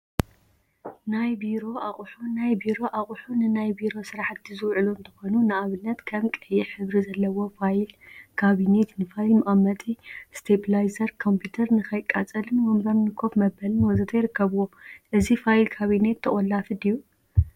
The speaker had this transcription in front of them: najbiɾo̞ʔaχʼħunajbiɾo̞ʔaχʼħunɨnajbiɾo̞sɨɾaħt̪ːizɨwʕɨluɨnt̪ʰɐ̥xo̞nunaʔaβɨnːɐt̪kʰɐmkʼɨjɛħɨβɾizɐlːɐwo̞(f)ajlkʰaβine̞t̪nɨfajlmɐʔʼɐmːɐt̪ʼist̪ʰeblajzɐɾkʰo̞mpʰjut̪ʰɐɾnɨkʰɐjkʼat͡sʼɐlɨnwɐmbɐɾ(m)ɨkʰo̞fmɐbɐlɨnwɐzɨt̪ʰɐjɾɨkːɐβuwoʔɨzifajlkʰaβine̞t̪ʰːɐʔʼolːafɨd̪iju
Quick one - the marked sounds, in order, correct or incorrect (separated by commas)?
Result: correct, incorrect